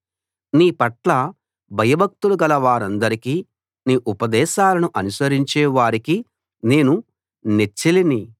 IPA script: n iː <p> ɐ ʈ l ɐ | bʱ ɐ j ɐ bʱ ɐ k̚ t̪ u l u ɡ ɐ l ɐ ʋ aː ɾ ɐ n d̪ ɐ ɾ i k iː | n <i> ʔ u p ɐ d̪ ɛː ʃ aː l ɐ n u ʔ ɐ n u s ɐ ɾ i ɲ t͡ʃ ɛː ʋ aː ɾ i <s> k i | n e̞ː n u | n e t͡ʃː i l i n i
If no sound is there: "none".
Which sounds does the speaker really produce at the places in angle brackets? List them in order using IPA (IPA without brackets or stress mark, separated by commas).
p, iː, none